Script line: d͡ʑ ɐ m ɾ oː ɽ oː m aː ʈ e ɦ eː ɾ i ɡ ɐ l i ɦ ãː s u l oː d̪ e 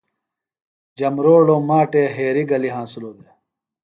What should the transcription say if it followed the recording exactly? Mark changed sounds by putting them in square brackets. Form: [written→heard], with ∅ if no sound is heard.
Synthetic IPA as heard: d͡ʑ ɐ m ɾ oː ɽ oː m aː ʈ e ɦ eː ɾ i ɡ ɐ l i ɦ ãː s u l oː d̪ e